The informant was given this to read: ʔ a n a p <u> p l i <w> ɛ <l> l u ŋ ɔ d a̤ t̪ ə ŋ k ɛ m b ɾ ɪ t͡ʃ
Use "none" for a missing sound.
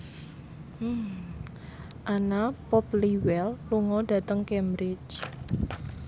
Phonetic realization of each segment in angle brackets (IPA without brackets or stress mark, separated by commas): ɔ, w, l